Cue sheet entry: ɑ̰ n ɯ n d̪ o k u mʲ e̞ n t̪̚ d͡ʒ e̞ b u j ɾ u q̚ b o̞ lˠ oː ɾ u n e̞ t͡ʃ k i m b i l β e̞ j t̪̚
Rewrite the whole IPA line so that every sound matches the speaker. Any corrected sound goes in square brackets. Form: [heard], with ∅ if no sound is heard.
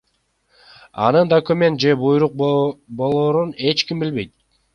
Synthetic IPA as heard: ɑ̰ n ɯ n d̪ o k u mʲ e̞ n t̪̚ d͡ʒ e̞ b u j ɾ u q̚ b o̞ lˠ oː ɾ u n e̞ t͡ʃ k i m b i l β e̞ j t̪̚